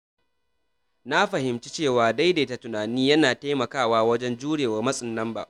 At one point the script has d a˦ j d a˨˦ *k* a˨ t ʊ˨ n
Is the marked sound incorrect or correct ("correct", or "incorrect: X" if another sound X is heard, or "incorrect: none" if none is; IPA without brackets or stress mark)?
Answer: incorrect: t